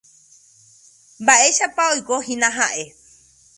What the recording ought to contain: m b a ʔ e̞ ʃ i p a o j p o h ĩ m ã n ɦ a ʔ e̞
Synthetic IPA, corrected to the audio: m b a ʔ e̞ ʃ a p a o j k o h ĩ n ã ɦ a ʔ e̞